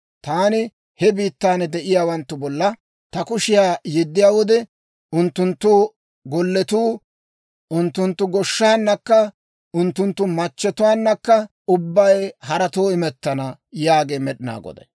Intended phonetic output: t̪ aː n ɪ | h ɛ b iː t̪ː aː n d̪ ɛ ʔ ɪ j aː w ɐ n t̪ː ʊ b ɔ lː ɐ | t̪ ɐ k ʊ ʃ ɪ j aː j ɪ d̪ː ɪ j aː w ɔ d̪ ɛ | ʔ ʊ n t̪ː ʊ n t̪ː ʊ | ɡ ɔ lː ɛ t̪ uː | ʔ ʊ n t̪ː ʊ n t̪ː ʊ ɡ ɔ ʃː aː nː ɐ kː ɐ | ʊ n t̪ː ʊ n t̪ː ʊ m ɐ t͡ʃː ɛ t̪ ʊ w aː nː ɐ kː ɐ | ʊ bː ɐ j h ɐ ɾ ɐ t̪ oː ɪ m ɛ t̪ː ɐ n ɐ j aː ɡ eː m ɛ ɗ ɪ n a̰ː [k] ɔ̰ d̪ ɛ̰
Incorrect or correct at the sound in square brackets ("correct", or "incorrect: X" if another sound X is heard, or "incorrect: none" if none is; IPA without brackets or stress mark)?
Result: incorrect: ɡ